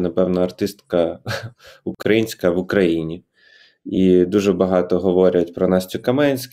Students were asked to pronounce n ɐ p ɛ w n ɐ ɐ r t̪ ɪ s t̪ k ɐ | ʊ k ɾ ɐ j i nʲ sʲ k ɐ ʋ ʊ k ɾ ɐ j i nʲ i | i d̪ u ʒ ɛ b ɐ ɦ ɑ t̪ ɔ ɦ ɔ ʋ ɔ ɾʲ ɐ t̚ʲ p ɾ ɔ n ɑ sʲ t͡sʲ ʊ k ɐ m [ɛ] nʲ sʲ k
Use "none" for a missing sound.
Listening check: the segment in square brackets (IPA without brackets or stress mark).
ɛ